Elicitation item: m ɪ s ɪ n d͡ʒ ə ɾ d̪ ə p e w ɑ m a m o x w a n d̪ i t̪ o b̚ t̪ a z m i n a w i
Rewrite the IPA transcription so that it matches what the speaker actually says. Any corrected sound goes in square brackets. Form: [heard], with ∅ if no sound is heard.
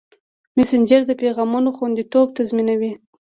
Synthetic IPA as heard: m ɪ s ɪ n d͡ʒ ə ɾ d̪ ə p e [ɣ] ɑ m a [n] o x w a n d̪ i t̪ o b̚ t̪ a z m i n a w i